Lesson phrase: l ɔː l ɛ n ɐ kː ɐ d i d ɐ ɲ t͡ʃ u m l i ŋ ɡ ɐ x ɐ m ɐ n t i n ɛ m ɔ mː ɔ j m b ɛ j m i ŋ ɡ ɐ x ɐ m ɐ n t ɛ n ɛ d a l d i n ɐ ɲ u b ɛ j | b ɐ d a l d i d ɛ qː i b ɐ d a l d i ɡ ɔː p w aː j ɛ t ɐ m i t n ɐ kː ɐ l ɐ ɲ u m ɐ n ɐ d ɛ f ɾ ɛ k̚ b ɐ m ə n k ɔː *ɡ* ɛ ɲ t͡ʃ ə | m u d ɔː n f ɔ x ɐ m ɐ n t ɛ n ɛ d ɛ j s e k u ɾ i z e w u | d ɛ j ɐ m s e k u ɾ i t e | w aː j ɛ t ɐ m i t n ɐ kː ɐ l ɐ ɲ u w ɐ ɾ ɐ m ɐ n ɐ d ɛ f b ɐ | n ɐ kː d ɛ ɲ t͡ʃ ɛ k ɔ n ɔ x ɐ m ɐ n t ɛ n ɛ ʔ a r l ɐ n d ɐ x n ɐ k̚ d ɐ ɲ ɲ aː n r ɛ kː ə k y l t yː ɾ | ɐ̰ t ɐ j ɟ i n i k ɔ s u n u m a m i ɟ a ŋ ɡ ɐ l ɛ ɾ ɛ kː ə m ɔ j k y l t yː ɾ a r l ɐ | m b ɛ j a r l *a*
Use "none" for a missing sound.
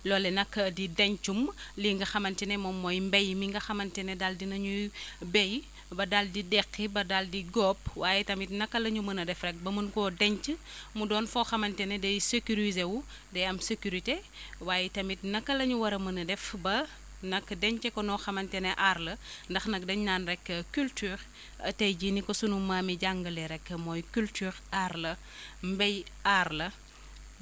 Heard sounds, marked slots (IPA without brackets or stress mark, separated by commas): d, ɐ